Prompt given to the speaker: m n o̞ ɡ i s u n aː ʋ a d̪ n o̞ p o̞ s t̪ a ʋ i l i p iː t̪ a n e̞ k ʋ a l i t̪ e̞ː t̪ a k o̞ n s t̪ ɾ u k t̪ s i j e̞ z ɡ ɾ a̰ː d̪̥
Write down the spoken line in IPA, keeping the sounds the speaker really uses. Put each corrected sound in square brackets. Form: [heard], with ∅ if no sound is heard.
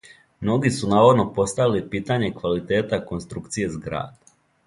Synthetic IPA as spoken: m n o̞ ɡ i s u n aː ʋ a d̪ n o̞ p o̞ s t̪ a ʋ i l i p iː t̪ a [ɲ] e̞ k ʋ a l i t̪ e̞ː t̪ a k o̞ n s t̪ ɾ u k t̪ s i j e̞ z ɡ ɾ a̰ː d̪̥